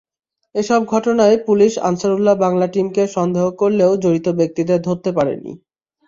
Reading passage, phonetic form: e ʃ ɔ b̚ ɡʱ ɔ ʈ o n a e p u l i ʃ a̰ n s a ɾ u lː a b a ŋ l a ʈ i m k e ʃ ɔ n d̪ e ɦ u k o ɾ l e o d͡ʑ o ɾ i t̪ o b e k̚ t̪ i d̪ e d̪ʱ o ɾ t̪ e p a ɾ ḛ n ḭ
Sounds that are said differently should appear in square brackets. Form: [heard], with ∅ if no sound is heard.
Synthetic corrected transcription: e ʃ ɔ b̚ ɡʱ ɔ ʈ o n a e p u l i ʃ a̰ n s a ɾ u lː a b a ŋ l a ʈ i m k e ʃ ɔ n d̪ e ɦ [o] k o ɾ l e o d͡ʑ o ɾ i t̪ o b e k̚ t̪ i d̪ e d̪ʱ o ɾ t̪ e p a ɾ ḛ n ḭ